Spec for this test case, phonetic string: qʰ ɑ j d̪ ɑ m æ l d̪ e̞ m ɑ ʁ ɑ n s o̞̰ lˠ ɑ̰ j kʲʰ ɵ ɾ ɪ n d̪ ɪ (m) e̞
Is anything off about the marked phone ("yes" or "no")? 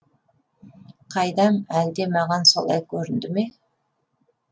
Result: no